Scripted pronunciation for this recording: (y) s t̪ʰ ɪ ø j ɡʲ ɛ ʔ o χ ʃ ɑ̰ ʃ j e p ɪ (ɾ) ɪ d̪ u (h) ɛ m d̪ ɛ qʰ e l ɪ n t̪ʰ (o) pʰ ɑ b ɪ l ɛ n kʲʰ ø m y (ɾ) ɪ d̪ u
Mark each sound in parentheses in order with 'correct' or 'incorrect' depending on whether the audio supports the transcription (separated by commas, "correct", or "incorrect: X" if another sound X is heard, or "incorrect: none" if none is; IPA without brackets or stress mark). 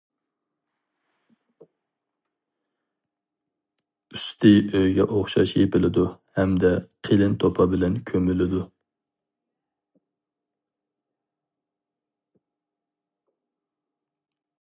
correct, incorrect: l, correct, correct, incorrect: l